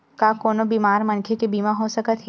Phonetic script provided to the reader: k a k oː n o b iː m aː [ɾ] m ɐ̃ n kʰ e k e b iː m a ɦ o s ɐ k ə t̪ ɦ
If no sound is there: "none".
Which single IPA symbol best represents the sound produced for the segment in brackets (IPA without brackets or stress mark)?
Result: ɾ